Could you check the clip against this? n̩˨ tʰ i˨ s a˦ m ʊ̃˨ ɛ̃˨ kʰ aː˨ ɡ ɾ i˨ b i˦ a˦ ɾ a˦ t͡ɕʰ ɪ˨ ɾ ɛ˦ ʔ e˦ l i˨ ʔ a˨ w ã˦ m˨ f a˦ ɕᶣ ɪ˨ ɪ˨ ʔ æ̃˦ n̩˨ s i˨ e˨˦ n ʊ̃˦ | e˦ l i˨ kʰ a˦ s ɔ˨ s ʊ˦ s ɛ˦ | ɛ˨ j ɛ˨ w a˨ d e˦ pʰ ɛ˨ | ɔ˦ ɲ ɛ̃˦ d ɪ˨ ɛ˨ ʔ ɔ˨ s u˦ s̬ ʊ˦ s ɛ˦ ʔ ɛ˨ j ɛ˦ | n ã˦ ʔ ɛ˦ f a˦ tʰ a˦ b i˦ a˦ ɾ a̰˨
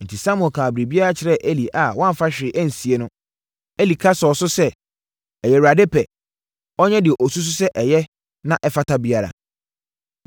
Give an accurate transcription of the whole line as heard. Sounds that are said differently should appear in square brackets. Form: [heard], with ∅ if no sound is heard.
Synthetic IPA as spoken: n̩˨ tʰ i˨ s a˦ m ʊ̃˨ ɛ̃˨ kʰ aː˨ [b] ɾ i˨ b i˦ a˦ ɾ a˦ t͡ɕʰ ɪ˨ ɾ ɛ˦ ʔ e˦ l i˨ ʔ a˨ w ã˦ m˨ f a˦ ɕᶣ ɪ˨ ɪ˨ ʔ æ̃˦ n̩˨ s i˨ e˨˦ n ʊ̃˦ | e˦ l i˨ kʰ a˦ s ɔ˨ s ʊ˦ s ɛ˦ | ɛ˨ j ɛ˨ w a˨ d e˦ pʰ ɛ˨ | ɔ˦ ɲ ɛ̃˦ d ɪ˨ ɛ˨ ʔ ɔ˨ s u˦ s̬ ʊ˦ s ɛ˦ ʔ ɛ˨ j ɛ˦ | n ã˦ ʔ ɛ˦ f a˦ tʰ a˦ b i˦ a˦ ɾ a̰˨

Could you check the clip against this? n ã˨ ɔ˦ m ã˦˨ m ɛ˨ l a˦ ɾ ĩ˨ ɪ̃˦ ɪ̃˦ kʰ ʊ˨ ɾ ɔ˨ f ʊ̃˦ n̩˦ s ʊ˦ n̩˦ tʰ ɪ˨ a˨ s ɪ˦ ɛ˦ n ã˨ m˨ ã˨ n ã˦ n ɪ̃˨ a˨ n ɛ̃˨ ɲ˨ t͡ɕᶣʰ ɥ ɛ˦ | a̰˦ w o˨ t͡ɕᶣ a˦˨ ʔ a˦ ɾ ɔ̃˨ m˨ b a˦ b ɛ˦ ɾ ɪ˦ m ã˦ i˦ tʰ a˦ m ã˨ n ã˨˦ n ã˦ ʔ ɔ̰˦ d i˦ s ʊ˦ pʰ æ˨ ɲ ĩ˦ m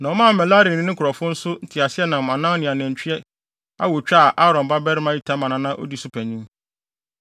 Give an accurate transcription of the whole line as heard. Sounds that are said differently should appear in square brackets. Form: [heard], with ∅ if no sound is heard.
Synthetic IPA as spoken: n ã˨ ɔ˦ m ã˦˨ m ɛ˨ l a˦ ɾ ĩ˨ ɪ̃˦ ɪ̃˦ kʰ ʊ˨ ɾ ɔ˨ f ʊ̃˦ n̩˦ s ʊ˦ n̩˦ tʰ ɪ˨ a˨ s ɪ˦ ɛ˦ n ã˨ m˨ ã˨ n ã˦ n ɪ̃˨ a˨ n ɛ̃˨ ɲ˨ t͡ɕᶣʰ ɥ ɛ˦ | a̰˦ w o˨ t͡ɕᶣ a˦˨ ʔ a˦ ɾ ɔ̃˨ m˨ b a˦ b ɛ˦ ɾ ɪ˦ m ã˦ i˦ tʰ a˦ m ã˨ n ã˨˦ n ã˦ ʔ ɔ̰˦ d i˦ s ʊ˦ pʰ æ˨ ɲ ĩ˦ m

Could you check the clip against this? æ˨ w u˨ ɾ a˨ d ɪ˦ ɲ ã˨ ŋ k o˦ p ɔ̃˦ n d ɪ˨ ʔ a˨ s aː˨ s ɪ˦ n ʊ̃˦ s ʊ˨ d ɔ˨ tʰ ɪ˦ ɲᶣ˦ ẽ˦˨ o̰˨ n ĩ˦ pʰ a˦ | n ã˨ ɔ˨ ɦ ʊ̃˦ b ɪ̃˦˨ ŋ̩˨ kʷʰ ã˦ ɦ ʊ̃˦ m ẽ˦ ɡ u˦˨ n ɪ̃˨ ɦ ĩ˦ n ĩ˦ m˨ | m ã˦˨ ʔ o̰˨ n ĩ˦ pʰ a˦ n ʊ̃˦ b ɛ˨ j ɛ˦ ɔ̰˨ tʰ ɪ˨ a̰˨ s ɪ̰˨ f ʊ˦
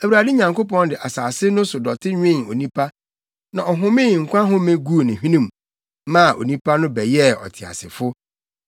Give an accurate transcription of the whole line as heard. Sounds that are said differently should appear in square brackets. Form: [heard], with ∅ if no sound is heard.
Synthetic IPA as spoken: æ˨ w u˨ ɾ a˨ d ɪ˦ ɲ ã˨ ŋ k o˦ p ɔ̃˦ n d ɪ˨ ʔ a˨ s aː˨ s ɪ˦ n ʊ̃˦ s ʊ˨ d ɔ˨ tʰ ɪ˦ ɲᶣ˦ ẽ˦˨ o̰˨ n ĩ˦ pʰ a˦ | n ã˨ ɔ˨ ɦ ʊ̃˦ [m] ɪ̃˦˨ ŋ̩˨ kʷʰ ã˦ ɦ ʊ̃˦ m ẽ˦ ɡ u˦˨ n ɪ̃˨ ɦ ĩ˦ n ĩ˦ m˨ | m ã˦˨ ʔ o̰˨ n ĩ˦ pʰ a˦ n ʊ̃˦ b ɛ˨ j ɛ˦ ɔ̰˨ tʰ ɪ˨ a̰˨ s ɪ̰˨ f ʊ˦

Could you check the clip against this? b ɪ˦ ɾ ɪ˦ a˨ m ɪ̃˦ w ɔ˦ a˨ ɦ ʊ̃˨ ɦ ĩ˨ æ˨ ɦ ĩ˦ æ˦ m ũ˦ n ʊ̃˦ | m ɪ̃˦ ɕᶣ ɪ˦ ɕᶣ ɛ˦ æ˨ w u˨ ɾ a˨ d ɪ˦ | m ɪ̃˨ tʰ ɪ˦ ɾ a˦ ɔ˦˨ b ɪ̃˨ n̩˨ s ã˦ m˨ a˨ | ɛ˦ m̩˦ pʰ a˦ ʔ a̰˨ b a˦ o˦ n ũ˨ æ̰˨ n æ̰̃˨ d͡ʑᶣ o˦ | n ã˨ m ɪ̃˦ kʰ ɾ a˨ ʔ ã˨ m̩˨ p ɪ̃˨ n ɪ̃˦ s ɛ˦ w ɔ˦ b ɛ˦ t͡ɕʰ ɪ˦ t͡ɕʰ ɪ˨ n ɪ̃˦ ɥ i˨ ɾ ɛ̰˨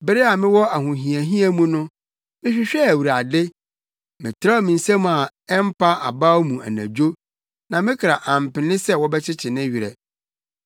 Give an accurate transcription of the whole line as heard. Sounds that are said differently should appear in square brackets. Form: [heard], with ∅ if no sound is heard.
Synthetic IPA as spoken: b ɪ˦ ɾ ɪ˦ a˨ m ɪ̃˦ w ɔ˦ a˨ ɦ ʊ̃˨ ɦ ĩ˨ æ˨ ɦ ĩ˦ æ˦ m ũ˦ n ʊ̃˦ | m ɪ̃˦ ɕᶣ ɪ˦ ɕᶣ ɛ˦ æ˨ w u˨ ɾ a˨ d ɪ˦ | m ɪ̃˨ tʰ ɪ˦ ɾ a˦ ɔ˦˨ [m] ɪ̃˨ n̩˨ s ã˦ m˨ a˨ | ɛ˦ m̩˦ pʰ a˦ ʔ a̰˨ b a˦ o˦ [m] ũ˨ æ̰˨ n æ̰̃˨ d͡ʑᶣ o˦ | n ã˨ m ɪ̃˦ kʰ ɾ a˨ ʔ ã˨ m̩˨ p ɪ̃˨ n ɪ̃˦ s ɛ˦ w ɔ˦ b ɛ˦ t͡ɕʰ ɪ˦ t͡ɕʰ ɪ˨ n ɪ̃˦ ɥ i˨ ɾ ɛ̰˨

